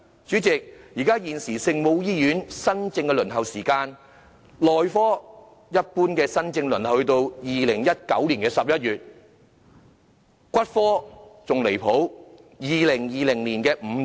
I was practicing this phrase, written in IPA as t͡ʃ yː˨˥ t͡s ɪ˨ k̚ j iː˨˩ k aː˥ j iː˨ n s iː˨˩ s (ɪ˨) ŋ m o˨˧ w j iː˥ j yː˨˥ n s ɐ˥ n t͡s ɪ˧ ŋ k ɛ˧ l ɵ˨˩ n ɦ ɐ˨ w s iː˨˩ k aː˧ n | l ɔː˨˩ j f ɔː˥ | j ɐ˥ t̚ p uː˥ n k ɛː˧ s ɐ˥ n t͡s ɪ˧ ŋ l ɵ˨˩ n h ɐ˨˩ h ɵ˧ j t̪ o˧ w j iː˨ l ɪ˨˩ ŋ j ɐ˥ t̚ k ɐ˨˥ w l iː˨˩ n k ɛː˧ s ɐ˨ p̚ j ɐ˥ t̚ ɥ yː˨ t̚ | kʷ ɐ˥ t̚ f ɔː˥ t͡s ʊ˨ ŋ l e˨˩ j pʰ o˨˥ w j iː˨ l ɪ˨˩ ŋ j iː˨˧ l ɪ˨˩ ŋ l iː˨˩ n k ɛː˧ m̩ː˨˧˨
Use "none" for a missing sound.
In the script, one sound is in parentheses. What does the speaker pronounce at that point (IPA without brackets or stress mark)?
ɪ˨